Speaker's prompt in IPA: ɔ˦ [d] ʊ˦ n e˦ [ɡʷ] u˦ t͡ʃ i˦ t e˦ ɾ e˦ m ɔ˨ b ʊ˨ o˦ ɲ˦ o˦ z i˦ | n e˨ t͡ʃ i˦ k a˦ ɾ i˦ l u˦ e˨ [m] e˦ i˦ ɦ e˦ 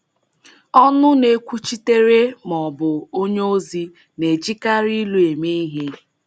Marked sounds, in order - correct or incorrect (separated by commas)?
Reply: incorrect, incorrect, correct